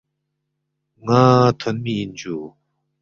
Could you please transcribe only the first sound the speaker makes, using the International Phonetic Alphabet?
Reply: ŋ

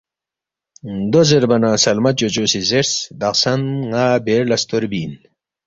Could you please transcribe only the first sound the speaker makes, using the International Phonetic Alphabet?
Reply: d̪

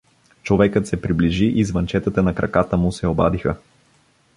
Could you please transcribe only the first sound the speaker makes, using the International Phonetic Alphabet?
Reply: t͡ʃ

